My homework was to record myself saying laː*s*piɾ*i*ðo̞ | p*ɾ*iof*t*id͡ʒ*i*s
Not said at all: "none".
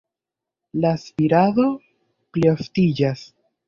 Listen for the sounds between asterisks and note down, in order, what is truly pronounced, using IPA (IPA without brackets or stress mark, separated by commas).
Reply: s, a, l, t, a